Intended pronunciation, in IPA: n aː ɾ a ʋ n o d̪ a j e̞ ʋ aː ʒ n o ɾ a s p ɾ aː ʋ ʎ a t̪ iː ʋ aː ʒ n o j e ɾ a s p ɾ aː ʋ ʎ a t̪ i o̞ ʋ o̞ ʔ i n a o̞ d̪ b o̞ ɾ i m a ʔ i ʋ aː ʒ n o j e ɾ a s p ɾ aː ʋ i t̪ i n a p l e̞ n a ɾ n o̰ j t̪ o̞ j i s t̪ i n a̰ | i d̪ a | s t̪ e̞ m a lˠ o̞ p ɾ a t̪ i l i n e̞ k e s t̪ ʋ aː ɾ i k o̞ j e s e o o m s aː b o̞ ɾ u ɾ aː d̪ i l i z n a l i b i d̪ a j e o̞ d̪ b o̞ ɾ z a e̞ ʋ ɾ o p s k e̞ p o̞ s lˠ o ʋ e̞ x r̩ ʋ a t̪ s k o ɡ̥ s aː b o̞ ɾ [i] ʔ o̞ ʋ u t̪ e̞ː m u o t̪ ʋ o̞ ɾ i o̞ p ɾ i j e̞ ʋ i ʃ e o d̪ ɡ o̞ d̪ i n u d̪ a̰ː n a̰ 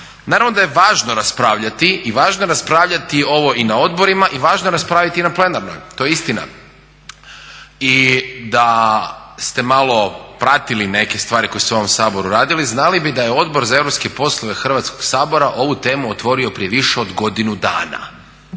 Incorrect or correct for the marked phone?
incorrect: a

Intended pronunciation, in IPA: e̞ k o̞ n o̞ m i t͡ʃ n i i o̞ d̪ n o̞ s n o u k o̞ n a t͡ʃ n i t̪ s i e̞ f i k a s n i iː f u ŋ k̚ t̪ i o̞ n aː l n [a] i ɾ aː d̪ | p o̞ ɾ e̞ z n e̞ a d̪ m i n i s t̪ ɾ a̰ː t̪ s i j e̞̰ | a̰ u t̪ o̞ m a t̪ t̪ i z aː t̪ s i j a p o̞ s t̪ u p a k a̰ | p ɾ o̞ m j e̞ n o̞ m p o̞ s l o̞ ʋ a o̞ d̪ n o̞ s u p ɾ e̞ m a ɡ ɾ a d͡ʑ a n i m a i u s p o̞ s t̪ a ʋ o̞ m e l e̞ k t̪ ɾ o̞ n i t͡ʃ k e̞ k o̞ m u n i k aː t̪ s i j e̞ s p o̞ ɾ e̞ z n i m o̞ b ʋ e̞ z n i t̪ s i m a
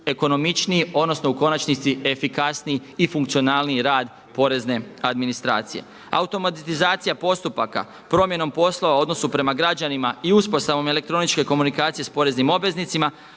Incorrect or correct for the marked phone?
incorrect: i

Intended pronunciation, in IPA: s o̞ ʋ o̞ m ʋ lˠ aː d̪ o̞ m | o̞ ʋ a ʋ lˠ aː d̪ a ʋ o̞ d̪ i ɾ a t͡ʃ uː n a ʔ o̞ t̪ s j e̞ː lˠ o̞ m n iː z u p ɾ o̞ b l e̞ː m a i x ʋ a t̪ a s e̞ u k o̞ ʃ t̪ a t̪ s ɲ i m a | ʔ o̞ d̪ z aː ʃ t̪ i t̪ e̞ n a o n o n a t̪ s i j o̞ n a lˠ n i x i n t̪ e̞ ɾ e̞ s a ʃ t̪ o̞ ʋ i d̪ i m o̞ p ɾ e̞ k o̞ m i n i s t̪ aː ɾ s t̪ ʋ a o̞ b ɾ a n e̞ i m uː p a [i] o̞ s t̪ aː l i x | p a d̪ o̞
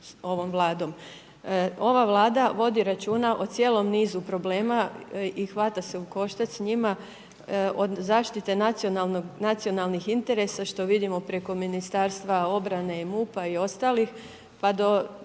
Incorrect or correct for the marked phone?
correct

